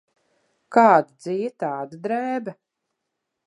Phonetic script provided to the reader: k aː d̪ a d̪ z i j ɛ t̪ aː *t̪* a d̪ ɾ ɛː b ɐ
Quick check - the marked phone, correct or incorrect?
incorrect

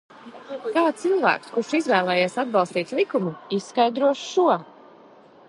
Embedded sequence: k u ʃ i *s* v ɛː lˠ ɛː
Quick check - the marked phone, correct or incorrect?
incorrect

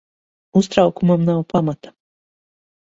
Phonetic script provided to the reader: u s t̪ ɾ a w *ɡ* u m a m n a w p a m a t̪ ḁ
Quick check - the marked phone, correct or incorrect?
incorrect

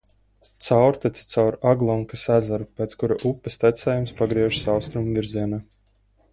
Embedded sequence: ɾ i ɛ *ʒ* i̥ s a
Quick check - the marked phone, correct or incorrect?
correct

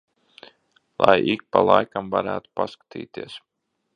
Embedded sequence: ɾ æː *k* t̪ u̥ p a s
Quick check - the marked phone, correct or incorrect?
incorrect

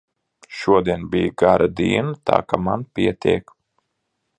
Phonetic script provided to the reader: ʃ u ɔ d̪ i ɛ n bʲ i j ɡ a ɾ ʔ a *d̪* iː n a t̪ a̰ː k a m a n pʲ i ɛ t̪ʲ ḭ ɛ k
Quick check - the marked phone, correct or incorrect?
correct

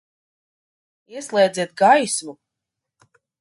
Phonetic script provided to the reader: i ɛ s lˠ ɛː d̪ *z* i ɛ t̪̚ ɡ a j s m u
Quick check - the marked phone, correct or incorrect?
correct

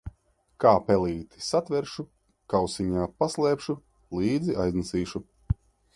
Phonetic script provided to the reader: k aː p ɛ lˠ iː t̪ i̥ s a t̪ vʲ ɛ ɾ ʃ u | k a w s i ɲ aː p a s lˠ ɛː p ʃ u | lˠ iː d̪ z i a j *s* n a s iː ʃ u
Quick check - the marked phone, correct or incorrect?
incorrect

